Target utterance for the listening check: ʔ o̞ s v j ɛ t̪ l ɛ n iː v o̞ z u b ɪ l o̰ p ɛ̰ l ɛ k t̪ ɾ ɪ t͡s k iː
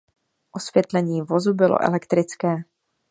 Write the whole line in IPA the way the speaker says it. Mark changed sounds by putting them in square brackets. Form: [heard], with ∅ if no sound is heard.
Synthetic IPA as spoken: ʔ o̞ s v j ɛ t̪ l ɛ [ɲ] iː v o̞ z u b ɪ l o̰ [ʔ] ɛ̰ l ɛ k t̪ ɾ ɪ t͡s k [ɛː]